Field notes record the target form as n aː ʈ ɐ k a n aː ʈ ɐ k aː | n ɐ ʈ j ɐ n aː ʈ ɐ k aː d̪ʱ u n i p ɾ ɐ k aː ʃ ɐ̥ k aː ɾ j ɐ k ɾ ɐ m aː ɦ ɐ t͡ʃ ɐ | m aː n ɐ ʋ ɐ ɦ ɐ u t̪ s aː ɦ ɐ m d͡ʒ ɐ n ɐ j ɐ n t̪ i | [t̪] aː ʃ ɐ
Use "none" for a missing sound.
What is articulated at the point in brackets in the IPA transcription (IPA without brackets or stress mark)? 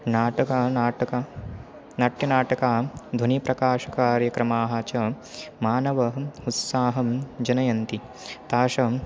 t̪